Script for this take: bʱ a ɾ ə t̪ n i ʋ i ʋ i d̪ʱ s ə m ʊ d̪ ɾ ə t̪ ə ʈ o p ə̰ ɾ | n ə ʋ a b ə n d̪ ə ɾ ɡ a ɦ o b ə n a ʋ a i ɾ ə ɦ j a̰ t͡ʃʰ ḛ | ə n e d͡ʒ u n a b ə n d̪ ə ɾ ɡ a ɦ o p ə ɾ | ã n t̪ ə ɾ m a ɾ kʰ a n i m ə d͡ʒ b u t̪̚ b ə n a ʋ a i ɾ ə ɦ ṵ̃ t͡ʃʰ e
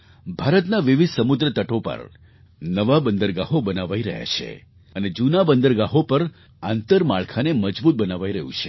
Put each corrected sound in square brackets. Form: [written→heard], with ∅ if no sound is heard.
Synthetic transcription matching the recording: bʱ a ɾ ə t̪ n [i→a] ʋ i ʋ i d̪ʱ s ə m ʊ d̪ ɾ ə t̪ ə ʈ o p ə̰ ɾ | n ə ʋ a b ə n d̪ ə ɾ ɡ a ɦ o b ə n a ʋ a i ɾ ə ɦ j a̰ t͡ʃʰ ḛ | ə n e d͡ʒ u n a b ə n d̪ ə ɾ ɡ a ɦ o p ə ɾ | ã n t̪ ə ɾ m a [ɾ→ɭ] kʰ a n [i→e] m ə d͡ʒ b u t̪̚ b ə n a ʋ a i ɾ ə ɦ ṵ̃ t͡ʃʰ e